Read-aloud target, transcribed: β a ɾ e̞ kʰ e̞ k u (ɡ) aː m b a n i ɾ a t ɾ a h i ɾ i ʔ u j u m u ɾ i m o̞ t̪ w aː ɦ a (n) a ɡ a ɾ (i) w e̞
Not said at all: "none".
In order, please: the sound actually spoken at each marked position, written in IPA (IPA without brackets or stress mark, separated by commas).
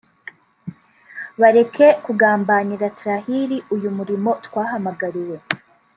ɡ, m, i